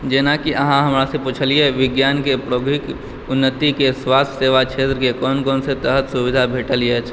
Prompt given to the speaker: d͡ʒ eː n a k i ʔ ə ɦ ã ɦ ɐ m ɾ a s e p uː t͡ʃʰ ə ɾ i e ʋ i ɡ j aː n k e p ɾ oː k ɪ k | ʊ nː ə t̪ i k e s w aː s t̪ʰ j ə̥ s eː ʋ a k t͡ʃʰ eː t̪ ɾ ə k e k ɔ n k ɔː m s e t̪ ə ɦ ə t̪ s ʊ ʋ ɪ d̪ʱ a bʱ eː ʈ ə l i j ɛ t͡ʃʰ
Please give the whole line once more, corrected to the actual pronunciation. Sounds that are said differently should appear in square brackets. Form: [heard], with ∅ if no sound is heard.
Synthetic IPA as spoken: d͡ʒ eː n a k i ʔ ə ɦ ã ɦ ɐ m ɾ a s e p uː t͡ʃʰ ə [l] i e ʋ [ɪ] ɡ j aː n k e p ɾ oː [ɡ] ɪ k | ʊ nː ə t̪ i k e s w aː s t̪ʰ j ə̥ s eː ʋ a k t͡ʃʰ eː t̪ ɾ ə k e k [ɔː] n k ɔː [n] s e t̪ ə ɦ ə t̪ s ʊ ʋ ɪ d̪ʱ a bʱ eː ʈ ə l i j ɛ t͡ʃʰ